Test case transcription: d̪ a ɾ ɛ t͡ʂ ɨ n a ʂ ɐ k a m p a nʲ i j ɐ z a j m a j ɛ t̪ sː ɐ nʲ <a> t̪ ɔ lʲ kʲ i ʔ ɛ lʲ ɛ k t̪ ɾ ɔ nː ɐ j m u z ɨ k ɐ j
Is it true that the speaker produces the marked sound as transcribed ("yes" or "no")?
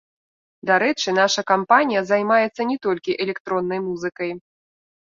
no